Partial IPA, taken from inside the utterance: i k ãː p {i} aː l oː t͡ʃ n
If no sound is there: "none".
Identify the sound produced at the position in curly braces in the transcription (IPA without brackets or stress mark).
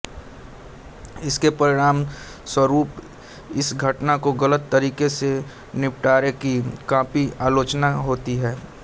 i